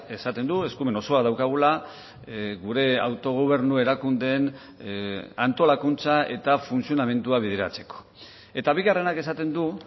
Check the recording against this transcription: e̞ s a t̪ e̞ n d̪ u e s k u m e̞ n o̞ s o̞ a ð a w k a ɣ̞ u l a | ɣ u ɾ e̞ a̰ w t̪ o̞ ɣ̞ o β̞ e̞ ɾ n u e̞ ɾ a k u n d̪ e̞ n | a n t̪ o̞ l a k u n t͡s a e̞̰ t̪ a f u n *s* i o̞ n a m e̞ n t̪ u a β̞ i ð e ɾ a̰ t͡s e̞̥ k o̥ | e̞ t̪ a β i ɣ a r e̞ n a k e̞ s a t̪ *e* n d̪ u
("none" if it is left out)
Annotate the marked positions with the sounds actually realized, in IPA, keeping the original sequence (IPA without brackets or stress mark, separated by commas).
s, e